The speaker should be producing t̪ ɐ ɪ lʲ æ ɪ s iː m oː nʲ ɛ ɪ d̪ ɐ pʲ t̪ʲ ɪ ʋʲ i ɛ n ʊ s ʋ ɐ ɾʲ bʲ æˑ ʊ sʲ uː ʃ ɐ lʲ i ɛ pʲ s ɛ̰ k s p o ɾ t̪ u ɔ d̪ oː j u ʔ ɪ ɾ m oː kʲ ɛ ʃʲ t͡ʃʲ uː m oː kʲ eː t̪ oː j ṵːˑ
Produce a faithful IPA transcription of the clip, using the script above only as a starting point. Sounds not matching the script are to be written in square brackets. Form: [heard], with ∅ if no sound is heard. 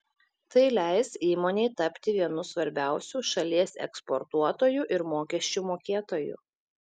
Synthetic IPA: t̪ ɐ ɪ lʲ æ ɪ s iː m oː nʲ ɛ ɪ [t̪] ɐ pʲ t̪ʲ ɪ ʋʲ i ɛ n ʊ s ʋ ɐ ɾʲ bʲ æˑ ʊ sʲ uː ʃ ɐ lʲ i ɛ [∅] s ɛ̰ k s p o ɾ t̪ u ɔ [t̪] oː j u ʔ ɪ ɾ m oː kʲ ɛ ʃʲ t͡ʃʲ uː m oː kʲ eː t̪ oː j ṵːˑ